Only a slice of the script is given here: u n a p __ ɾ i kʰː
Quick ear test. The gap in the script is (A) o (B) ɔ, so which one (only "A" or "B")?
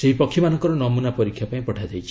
B